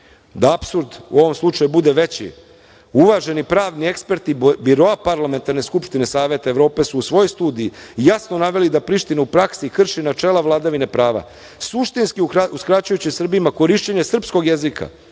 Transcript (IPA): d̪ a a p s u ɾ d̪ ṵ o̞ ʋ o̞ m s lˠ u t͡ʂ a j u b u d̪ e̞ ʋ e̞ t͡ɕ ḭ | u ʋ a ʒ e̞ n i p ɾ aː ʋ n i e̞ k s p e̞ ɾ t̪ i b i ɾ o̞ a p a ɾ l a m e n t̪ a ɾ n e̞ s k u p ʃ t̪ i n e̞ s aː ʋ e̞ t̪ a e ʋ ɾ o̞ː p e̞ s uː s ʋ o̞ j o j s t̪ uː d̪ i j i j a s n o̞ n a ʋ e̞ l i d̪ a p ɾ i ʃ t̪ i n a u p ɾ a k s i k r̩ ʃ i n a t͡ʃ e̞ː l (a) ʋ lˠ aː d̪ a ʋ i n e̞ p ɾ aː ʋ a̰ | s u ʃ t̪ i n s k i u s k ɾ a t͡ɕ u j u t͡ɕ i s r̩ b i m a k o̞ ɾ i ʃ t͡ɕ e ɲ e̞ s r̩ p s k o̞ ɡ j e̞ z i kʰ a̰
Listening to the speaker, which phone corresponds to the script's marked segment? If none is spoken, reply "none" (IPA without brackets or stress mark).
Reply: a